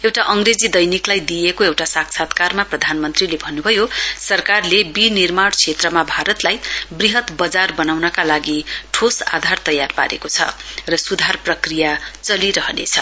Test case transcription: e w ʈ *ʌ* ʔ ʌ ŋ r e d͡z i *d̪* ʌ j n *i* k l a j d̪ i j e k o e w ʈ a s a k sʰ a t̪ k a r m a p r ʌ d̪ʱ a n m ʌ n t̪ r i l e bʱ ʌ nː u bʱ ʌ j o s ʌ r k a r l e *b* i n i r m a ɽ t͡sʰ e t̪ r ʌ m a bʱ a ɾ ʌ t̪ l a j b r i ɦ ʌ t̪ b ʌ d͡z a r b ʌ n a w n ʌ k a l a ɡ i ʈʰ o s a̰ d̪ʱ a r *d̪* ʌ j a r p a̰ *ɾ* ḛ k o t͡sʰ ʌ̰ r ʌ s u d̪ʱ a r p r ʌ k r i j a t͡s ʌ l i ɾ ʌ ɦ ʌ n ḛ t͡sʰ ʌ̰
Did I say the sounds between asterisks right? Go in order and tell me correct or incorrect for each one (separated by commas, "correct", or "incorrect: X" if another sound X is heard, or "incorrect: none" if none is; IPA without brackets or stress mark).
incorrect: a, correct, correct, correct, incorrect: t̪, correct